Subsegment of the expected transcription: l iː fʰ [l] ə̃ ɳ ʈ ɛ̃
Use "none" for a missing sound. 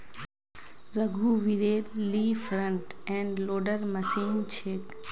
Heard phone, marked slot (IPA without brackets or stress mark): ɾ